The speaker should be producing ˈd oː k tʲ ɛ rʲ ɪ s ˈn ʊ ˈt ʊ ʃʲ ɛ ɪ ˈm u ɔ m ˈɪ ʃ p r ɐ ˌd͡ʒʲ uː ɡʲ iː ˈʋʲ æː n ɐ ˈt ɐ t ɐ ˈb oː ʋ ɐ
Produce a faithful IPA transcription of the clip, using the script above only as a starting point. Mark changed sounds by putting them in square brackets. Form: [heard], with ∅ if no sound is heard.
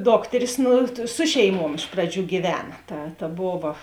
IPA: ˈd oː k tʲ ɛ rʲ ɪ s ˈn ʊ [ˈs] ʊ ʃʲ ɛ ɪ ˈm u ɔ m ˈɪ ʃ p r ɐ ˌd͡ʒʲ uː ɡʲ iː ˈʋʲ æː n ɐ ˈt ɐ t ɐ ˈb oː ʋ ɐ